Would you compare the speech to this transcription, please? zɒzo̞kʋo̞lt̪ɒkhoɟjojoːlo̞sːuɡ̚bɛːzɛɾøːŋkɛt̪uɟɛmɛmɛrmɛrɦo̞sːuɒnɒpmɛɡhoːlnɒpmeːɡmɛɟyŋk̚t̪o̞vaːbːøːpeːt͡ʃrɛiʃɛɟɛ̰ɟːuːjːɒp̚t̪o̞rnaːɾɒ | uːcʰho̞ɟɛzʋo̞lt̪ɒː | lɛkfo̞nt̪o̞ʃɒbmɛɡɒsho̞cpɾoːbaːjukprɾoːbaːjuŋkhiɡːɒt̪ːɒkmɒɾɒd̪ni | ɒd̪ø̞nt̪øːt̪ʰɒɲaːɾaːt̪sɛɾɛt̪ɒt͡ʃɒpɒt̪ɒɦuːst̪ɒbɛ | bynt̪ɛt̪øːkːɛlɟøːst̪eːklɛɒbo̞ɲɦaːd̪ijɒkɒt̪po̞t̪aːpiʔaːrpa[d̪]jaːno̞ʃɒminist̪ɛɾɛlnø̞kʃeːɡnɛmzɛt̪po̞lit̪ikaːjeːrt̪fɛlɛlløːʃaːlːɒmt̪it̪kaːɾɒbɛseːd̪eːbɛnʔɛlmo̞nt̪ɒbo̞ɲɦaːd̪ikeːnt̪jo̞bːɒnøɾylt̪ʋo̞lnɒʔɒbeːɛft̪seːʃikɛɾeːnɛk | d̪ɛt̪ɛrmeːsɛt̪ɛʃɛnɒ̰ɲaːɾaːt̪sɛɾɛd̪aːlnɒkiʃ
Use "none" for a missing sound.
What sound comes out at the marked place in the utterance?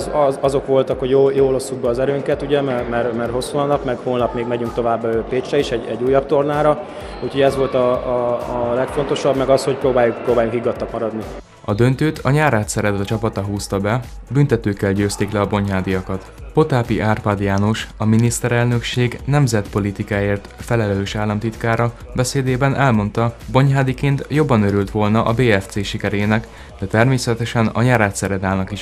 d̪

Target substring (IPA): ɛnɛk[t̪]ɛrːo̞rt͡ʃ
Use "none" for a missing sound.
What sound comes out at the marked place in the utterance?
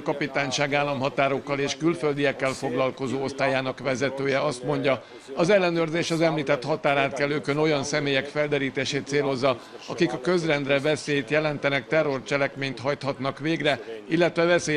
t̪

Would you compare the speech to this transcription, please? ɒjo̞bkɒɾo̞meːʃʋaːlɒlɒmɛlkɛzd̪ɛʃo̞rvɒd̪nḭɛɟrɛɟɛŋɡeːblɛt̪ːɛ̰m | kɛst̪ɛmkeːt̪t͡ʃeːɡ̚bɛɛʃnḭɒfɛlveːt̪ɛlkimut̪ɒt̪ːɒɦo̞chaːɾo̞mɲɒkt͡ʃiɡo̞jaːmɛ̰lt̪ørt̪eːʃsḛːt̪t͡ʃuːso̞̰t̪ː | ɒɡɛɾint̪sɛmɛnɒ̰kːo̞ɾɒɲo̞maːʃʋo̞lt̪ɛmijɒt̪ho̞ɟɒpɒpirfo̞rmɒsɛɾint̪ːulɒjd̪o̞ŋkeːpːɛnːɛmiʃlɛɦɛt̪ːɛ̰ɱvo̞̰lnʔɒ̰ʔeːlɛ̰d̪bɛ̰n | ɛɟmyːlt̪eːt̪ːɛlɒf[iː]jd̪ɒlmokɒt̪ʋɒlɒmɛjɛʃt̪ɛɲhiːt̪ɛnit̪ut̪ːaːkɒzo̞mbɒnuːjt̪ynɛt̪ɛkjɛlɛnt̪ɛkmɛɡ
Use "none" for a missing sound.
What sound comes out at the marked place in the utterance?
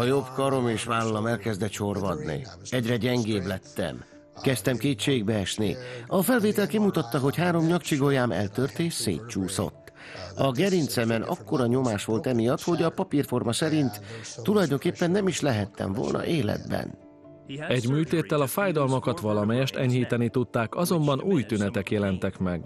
aː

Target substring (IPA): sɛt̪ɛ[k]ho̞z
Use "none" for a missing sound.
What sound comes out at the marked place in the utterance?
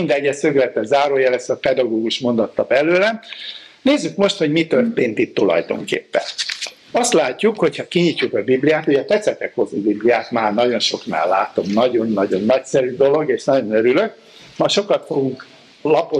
k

